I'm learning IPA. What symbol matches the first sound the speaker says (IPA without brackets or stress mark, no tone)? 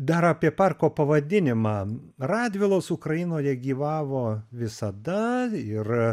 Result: d̪